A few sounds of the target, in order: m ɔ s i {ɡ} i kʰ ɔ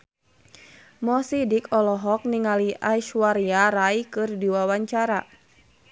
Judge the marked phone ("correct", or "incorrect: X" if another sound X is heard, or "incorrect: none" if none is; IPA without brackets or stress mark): incorrect: d